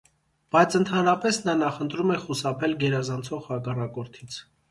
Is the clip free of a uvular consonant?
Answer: no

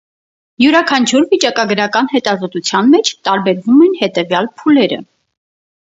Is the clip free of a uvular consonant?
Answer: yes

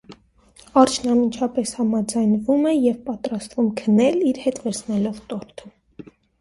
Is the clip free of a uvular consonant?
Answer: yes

